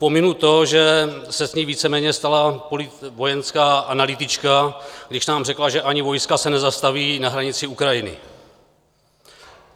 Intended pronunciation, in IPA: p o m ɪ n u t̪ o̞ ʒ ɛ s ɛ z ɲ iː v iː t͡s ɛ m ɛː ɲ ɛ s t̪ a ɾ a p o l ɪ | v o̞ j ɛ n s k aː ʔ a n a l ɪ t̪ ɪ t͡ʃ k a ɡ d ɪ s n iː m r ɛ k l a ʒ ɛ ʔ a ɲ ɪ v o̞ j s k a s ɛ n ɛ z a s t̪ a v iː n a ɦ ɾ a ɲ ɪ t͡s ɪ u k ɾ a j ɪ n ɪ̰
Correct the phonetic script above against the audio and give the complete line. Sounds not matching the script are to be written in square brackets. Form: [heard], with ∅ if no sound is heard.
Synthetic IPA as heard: p o m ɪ n u t̪ o̞ ʒ ɛ s ɛ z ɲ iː v iː t͡s ɛ m ɛː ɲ ɛ s t̪ a [l] a p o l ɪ | v o̞ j ɛ n s k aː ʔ a n a l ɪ t̪ ɪ t͡ʃ k a ɡ d ɪ [ʃ] n [aː] m r ɛ k l a ʒ ɛ ʔ a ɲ ɪ v o̞ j s k a s ɛ n ɛ z a s t̪ a v iː n a ɦ ɾ a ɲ ɪ t͡s ɪ u k ɾ a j ɪ n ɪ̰